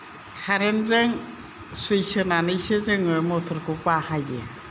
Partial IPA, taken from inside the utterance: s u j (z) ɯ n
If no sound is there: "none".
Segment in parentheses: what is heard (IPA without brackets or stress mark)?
s